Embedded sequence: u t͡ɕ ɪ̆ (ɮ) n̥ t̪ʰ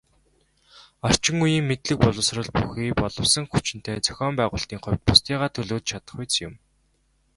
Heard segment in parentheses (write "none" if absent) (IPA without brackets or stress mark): none